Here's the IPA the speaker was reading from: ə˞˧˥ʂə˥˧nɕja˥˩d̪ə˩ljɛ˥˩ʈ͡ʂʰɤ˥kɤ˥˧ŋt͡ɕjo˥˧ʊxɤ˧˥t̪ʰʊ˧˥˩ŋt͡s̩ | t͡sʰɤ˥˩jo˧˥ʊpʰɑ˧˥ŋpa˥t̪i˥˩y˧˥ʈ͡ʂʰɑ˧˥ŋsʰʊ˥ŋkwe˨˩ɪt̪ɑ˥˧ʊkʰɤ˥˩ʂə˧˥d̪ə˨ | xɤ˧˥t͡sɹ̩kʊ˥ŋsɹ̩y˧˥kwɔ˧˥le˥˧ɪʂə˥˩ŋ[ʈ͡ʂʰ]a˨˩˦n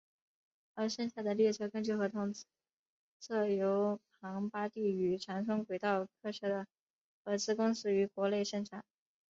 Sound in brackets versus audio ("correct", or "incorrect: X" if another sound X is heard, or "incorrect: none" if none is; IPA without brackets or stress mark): correct